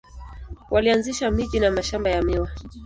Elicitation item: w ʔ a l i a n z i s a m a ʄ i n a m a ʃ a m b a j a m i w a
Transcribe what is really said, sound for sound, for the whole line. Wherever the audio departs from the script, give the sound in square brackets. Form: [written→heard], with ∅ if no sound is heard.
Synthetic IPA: w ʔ a l i a n z i [s→ʃ] a m [a→i] ʄ i n a m a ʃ a m b a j a m i w a

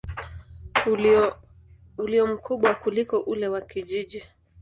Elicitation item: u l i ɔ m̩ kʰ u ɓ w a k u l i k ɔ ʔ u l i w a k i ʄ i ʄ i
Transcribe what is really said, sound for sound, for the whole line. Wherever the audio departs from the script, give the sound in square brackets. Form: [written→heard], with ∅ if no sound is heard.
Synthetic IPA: u l i ɔ m̩ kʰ u ɓ w a k u l i k ɔ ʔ u l [i→ɛ] w a k i ʄ i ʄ i

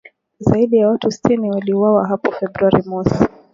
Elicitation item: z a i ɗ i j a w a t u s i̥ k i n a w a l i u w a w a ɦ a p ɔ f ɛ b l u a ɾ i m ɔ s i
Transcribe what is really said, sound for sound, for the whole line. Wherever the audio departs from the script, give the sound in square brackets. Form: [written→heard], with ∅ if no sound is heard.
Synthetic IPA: z a i ɗ i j a w a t u s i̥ [k→t] i n [a→i] w a l i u w a w a ɦ a p ɔ f ɛ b [l→ɾ] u a ɾ i m ɔ s i

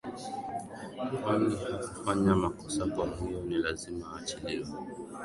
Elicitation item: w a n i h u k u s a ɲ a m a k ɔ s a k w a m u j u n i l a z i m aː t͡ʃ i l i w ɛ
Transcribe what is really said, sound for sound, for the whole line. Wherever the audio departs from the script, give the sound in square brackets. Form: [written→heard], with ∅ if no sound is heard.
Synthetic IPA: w a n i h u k u [s→f] a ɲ a m a k ɔ s a k w a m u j [u→ɔ] n i l a z i m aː t͡ʃ i l i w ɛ

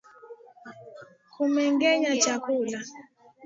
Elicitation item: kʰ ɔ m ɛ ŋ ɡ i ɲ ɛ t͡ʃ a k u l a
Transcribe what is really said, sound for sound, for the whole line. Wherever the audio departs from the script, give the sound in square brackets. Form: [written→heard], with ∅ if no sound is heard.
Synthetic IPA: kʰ [ɔ→u] m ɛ ŋ ɡ [i→ɛ] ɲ [ɛ→a] t͡ʃ a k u l a

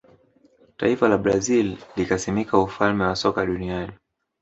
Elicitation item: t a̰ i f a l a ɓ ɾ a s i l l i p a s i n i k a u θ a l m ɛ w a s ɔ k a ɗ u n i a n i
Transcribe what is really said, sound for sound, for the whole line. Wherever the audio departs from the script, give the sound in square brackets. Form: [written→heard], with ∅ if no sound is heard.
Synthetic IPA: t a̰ i f a l a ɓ ɾ a [s→z] i l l i [p→k] a s i [n→m] i k a u [θ→f] a l m ɛ w a s ɔ k a ɗ u n i a n i

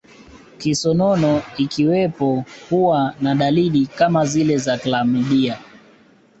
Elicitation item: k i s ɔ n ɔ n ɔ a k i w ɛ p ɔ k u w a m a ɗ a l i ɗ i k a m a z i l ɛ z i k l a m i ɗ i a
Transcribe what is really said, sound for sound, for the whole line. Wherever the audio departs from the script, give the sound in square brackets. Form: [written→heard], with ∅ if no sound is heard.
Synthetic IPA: k i s ɔ n ɔ n ɔ [a→i] k i w ɛ p ɔ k u w a [m→n] a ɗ a l i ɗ i k a m a z i l ɛ z [i→a] k l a m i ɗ i a

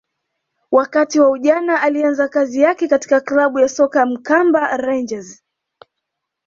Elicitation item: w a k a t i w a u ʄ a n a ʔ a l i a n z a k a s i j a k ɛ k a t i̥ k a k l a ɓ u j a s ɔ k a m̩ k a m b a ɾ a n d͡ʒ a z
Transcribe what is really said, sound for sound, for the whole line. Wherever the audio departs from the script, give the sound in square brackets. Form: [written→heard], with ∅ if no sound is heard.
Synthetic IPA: w a k a t i w a u ʄ a n a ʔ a l i a n z a k a [s→z] i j a k ɛ k a t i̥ k a k l a ɓ u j a s ɔ k a m̩ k a m b a ɾ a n d͡ʒ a z

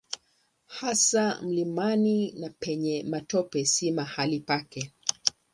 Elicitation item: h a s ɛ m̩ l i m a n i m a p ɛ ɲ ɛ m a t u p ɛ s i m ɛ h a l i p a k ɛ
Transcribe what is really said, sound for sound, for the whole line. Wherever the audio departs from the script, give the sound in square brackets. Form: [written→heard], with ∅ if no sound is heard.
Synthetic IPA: h a s [ɛ→a] m̩ l i m a n i [m→n] a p ɛ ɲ ɛ m a t [u→ɔ] p ɛ s i m [ɛ→a] h a l i p a k ɛ

